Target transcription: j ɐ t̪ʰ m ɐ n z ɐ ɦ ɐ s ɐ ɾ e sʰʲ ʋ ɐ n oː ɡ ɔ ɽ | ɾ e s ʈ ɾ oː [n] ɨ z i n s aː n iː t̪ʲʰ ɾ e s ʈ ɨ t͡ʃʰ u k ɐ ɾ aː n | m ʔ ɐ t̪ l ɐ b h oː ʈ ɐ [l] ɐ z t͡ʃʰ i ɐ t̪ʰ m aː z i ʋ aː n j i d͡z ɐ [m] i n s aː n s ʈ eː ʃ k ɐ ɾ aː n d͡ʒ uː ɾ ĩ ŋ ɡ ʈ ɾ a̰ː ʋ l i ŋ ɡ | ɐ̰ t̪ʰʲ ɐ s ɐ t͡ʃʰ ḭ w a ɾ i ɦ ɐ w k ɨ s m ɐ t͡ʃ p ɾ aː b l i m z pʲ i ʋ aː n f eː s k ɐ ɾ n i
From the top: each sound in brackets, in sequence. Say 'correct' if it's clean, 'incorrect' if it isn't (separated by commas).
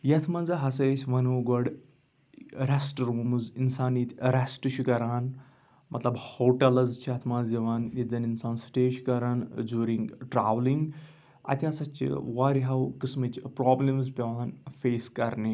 incorrect, correct, incorrect